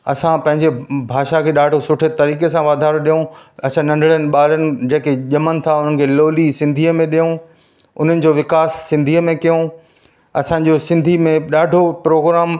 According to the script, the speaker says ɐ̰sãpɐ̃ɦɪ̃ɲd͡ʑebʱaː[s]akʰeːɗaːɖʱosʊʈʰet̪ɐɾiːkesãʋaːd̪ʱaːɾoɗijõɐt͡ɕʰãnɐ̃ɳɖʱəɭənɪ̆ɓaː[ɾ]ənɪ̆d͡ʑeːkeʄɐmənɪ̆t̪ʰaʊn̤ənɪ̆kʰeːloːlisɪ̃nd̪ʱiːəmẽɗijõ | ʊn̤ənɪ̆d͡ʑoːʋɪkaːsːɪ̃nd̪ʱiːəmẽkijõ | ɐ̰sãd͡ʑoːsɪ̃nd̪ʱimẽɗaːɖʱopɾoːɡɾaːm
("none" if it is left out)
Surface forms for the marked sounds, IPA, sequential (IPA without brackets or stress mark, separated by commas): ʃ, l